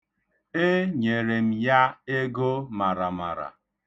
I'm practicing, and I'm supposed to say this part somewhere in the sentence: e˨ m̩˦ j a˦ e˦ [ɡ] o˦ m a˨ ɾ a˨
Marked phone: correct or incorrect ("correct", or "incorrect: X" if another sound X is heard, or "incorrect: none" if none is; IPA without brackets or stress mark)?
correct